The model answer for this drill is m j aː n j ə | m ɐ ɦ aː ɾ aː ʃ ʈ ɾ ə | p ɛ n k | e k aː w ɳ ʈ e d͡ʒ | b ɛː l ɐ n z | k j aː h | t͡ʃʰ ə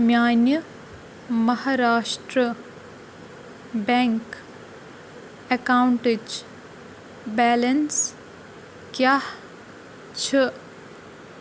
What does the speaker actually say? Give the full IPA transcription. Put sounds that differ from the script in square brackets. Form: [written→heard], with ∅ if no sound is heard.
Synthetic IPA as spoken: m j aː n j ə | m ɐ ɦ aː ɾ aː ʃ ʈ ɾ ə | [p→b] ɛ [n→ŋ] k | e k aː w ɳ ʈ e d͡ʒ | b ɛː l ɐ n [z→s] | k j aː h | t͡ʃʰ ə